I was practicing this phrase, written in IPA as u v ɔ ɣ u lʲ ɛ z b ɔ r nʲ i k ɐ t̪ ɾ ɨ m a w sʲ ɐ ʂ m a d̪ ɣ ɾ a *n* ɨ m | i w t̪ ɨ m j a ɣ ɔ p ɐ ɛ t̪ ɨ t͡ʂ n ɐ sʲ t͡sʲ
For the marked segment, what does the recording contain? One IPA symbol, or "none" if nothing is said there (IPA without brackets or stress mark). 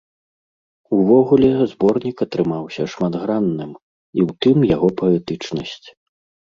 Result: nː